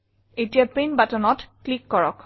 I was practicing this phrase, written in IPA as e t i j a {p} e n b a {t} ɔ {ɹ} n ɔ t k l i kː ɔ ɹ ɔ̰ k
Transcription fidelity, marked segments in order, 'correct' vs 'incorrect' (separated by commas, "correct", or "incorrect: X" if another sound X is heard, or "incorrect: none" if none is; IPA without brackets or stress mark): correct, correct, incorrect: none